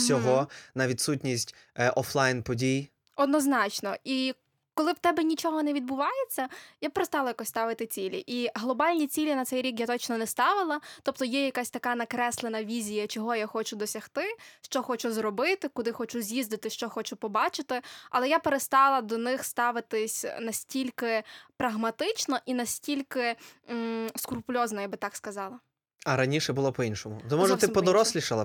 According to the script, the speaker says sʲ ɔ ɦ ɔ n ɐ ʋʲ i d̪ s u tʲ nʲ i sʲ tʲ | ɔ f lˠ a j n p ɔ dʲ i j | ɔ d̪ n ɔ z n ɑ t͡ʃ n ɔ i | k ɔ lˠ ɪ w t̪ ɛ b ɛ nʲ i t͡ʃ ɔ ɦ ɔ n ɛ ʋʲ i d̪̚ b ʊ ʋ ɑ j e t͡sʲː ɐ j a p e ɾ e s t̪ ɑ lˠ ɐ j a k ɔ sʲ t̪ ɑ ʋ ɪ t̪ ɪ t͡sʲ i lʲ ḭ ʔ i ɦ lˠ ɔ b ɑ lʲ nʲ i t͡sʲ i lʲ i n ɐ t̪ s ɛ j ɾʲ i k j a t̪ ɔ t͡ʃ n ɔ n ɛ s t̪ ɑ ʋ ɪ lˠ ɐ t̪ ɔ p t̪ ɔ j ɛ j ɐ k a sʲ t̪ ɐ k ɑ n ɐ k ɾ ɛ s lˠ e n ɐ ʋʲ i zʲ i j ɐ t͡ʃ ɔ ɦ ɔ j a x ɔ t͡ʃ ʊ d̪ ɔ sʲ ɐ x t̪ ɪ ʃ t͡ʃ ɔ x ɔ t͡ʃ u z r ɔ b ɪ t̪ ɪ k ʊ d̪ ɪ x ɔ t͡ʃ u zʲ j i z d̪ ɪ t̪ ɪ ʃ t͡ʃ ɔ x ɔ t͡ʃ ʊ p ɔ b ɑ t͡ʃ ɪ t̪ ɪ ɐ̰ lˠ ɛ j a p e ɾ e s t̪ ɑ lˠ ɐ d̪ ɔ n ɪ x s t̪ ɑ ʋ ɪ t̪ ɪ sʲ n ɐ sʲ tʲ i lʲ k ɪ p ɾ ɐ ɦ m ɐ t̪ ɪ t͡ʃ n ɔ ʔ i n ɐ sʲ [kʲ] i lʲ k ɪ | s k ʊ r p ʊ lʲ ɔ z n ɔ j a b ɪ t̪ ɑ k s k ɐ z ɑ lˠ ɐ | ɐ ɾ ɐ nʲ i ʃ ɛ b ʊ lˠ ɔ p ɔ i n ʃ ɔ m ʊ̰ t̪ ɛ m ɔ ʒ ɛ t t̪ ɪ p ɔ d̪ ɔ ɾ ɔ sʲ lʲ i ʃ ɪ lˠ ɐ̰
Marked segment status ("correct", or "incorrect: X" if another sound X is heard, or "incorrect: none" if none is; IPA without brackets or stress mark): incorrect: tʲ